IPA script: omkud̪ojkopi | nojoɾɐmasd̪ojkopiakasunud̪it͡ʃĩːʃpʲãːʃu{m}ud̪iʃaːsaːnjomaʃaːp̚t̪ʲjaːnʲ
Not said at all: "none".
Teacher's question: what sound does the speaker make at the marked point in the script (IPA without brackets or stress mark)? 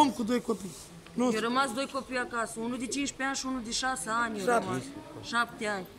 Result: n